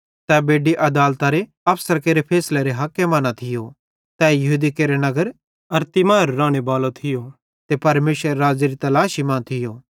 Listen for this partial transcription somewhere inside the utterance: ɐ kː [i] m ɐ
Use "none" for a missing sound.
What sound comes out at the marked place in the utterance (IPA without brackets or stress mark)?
e